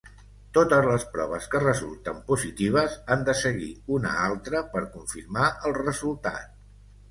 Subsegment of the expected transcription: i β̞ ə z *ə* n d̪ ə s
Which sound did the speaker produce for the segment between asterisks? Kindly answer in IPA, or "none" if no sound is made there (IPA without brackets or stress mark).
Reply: a